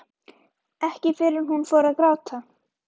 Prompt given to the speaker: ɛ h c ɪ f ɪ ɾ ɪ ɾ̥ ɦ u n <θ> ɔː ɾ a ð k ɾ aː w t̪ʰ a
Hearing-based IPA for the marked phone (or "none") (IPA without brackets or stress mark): f